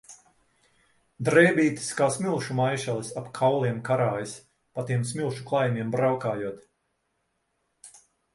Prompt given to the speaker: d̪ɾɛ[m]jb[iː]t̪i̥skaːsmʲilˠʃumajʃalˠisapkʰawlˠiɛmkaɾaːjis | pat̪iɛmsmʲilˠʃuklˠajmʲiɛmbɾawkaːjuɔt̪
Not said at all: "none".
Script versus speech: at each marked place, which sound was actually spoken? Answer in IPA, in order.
none, iː

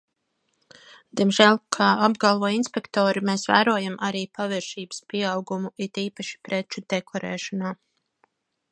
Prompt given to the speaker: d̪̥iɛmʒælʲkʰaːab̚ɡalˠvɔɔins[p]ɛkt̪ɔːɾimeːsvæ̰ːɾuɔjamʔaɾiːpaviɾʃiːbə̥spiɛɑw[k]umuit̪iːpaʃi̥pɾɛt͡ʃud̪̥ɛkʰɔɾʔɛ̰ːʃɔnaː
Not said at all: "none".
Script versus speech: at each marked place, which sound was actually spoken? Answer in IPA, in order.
p, ɡ

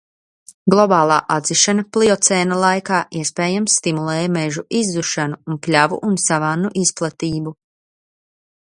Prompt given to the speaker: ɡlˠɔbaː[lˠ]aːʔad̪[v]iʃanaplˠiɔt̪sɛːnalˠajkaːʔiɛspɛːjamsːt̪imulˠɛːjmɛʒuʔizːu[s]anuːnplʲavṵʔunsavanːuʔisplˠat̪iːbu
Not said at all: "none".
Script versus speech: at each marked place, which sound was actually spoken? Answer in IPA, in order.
lˠ, z, ʃ

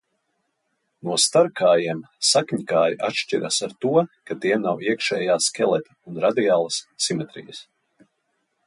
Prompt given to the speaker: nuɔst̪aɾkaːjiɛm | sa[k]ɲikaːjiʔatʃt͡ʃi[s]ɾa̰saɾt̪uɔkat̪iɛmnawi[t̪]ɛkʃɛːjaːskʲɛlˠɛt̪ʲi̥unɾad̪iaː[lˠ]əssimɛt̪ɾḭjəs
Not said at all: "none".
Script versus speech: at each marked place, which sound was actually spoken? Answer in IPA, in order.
k, none, none, lˠ

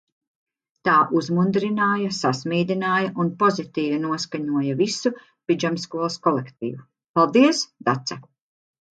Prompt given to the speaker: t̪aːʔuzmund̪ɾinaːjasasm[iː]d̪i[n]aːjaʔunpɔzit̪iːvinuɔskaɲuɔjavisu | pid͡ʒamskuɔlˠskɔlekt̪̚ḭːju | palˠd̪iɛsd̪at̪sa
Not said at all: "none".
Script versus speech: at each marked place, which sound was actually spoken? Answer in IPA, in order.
iː, n

